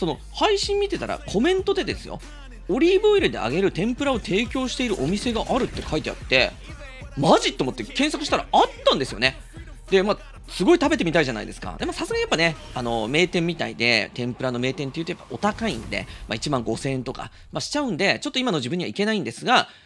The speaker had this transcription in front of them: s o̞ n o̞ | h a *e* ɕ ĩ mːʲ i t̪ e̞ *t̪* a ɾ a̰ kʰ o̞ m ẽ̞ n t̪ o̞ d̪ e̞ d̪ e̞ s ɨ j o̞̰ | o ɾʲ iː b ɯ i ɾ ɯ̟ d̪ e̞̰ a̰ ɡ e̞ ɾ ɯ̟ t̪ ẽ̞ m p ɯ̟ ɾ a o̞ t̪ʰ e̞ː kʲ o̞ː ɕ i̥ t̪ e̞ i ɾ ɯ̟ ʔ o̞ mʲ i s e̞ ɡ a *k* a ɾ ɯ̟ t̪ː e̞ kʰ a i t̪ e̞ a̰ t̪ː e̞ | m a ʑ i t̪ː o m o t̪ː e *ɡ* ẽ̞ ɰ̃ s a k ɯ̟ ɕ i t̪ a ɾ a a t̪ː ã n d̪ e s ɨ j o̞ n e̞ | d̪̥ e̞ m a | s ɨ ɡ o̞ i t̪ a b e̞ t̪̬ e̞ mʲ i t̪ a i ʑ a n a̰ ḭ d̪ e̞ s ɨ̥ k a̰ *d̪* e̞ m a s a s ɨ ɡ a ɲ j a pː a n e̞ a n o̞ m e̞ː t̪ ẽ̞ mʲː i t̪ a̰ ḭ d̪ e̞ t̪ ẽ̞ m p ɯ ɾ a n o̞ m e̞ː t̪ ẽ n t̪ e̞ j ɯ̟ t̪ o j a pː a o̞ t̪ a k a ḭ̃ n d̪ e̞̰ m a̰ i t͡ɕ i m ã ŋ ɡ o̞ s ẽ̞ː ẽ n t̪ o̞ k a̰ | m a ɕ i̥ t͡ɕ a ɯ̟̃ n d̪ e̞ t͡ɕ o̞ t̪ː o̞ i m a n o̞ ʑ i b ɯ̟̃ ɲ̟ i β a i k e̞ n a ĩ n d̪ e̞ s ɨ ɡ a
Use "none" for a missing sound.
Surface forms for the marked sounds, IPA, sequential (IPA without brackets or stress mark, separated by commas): i, t̪, ʔ, k, d̪